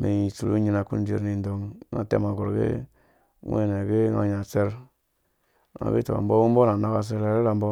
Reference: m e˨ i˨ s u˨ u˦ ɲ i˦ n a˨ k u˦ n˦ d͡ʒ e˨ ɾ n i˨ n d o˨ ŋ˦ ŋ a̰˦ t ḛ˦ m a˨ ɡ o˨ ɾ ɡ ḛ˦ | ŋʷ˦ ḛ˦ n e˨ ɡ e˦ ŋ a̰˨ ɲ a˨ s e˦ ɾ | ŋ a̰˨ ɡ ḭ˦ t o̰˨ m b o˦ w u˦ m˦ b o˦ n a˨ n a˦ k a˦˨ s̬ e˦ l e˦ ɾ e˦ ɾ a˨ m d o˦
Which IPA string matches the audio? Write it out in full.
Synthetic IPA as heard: m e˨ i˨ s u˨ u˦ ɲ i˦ n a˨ k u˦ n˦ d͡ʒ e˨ ɾ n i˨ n d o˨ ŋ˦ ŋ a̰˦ t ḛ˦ m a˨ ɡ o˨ ɾ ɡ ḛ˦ | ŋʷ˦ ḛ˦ n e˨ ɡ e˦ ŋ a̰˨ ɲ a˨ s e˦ ɾ | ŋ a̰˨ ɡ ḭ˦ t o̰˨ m b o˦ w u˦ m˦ b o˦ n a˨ n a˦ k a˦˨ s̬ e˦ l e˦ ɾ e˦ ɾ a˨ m b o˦